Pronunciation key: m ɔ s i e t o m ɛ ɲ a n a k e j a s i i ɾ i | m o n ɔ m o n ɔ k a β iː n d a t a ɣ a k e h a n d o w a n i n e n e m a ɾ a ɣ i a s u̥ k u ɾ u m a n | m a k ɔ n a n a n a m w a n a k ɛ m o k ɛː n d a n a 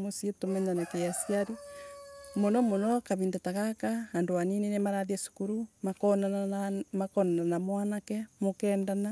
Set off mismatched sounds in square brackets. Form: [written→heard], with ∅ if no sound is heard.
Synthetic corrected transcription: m [ɔ→o] s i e t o m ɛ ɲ a n a k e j a s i [i→a] ɾ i | m o n ɔ m o n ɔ k a β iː n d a t a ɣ a k [e→a] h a n d o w a n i n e n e m a ɾ a [ɣ→ð] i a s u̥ k u ɾ u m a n | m a k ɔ n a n a n a m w a n a k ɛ m o k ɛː n d a n a